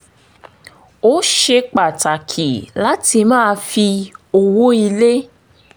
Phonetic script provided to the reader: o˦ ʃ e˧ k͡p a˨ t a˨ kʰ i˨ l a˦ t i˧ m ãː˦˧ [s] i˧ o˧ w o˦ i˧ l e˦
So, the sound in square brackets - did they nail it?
no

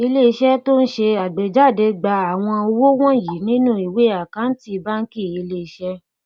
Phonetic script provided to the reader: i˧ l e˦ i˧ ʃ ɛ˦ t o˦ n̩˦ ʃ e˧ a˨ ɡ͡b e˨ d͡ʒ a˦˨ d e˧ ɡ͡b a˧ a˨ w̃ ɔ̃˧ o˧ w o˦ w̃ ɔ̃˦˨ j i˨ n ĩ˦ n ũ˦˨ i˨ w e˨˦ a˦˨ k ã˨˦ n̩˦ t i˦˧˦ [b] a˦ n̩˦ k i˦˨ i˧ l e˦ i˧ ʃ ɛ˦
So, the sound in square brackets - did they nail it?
yes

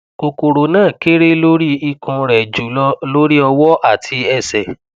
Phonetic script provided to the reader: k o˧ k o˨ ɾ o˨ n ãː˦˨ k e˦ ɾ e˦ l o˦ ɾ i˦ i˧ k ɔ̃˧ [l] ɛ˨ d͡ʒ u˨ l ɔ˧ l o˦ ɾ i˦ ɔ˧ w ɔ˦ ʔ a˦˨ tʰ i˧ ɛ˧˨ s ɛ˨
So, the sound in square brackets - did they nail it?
no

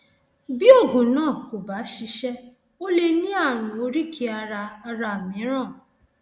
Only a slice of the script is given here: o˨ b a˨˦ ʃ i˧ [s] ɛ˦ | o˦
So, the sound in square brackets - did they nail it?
no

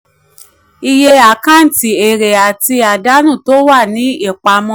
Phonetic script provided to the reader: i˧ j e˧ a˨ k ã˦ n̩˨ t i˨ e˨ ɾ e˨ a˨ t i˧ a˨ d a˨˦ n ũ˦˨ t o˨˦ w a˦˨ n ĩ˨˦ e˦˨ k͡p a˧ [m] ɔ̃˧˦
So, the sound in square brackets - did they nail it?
yes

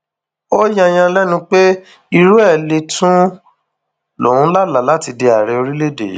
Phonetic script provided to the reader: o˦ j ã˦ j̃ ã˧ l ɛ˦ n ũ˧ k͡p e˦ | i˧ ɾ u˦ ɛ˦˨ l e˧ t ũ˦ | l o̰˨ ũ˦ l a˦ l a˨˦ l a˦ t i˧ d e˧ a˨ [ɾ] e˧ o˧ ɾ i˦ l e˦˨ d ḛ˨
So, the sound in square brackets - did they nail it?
yes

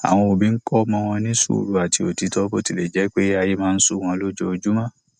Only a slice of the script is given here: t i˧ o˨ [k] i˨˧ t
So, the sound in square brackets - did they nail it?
no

